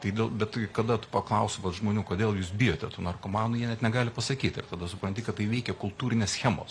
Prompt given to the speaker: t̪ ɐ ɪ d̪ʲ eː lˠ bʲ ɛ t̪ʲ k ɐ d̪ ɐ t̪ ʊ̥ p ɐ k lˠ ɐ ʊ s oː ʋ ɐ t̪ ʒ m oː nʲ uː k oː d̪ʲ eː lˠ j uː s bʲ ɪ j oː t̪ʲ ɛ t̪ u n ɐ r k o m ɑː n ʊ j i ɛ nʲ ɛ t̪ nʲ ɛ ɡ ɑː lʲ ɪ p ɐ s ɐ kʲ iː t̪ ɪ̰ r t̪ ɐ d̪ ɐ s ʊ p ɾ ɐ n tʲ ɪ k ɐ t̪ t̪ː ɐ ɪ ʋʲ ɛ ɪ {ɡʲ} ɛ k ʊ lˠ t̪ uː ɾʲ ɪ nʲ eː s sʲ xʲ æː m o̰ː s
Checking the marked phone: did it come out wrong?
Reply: yes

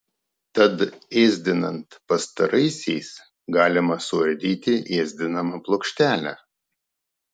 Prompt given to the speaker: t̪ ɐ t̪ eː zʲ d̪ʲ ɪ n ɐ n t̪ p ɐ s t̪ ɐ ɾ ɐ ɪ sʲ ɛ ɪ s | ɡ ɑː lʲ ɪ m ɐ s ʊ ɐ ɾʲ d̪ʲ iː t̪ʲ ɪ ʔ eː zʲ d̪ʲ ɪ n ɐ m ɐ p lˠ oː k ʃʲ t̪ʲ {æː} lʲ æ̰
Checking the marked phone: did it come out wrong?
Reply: no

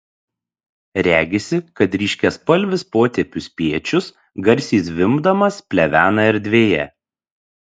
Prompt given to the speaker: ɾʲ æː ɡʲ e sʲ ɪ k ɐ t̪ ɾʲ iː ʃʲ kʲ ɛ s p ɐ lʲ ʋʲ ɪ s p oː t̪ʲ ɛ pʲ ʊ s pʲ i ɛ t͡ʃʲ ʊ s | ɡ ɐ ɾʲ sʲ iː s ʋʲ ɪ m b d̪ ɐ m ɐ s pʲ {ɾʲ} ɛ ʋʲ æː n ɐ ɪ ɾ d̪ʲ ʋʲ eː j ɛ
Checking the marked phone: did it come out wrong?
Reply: yes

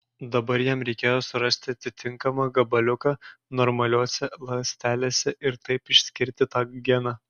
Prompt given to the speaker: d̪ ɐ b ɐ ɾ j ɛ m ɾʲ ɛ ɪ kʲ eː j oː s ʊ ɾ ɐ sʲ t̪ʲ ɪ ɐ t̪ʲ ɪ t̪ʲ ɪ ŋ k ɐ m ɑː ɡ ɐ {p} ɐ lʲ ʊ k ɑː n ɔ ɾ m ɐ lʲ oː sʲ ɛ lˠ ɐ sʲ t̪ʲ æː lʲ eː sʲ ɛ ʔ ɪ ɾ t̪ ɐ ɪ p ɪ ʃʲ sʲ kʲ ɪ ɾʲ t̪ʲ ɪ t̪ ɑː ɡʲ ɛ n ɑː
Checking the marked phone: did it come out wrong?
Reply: yes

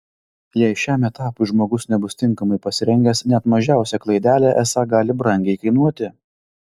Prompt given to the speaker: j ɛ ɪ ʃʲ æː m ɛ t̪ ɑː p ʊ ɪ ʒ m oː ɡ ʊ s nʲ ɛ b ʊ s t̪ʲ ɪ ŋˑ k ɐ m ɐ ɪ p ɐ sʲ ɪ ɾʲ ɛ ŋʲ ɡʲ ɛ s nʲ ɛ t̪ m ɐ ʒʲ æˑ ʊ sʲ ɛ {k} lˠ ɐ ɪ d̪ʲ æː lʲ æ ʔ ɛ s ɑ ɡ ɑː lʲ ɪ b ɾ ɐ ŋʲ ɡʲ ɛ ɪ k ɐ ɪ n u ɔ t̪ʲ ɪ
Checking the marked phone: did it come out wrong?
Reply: no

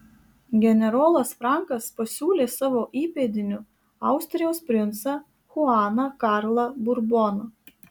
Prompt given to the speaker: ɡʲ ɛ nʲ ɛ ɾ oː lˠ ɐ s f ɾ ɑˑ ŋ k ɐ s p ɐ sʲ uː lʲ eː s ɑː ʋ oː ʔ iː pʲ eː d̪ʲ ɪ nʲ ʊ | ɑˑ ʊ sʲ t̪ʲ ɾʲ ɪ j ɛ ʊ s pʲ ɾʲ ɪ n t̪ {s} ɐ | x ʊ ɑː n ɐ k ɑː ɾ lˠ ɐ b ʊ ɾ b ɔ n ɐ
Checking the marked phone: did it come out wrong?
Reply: no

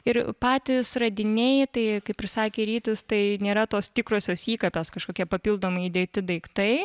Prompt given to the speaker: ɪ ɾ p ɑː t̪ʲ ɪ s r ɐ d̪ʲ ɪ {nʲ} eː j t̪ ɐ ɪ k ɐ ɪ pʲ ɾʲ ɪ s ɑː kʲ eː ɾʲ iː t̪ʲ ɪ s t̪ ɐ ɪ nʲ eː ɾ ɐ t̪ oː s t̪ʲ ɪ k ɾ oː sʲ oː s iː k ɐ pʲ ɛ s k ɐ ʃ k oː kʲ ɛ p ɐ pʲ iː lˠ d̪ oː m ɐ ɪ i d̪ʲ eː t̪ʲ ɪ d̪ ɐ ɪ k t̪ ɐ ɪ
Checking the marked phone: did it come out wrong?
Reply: no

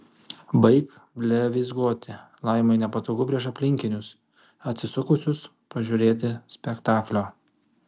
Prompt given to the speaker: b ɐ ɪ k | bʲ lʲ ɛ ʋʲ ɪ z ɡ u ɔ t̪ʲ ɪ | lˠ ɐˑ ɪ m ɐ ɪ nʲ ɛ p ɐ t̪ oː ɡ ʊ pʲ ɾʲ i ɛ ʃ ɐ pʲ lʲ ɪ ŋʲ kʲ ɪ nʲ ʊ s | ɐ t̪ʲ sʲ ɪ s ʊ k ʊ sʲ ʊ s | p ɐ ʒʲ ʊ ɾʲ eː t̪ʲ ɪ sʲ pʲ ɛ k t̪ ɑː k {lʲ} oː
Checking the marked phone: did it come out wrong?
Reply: no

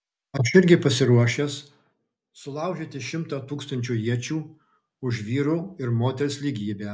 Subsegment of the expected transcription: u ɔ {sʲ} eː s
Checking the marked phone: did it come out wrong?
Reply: yes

